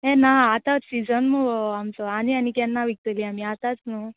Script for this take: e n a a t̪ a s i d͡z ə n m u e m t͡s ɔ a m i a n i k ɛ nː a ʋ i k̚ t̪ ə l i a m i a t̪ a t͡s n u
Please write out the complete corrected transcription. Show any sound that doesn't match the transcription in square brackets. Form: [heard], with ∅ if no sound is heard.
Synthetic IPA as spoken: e n a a t̪ a s i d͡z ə n m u [a] m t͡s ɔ a [n] i a n i k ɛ nː a ʋ i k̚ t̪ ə l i a m i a t̪ a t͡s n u